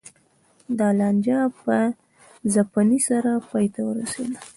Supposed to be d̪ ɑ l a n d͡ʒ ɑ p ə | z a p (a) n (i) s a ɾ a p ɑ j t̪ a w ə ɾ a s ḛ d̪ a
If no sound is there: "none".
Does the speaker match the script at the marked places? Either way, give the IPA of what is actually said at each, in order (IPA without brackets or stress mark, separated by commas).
a, i